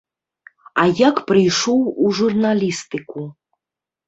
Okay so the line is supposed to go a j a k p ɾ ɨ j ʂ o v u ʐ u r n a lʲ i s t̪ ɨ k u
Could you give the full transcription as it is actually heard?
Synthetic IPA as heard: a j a k p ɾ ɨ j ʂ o w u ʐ u r n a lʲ i s t̪ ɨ k u